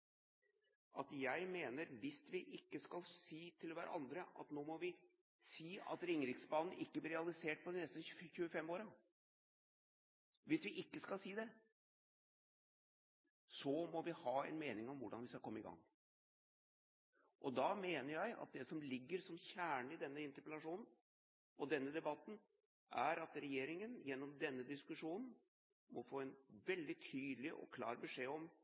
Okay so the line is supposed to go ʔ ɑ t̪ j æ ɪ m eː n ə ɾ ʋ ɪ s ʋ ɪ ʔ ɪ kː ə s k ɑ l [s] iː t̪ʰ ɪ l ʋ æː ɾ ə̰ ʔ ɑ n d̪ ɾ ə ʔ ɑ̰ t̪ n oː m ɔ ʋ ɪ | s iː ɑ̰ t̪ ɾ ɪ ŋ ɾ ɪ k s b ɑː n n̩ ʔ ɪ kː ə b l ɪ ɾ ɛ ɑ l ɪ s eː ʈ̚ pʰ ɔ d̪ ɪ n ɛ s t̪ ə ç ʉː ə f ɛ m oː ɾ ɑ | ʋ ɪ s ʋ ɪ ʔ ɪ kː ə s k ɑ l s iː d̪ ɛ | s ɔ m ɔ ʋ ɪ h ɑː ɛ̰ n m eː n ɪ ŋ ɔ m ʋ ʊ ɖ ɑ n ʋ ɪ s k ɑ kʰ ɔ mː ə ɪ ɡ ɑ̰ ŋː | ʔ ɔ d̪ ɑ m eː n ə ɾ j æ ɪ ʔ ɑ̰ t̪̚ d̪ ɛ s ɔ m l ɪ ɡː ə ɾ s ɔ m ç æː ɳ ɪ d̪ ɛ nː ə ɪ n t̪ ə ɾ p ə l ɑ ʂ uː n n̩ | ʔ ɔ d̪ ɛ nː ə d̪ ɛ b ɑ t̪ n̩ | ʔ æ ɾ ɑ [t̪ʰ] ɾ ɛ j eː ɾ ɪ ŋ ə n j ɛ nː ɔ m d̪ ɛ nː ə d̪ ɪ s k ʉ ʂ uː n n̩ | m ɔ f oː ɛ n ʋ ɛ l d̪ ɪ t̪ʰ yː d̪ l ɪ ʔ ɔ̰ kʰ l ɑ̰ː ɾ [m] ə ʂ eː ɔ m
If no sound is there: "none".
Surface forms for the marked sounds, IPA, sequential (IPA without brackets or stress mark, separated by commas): s, t̪, b